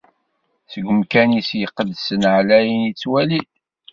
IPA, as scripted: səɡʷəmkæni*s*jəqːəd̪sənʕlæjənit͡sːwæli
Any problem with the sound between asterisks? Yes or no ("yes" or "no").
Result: no